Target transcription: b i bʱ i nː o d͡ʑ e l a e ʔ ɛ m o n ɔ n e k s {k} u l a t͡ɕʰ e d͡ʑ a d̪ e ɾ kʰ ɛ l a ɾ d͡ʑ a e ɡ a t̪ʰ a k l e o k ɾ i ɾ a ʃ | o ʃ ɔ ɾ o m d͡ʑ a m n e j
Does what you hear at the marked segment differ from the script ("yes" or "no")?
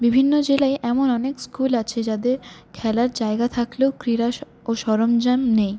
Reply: no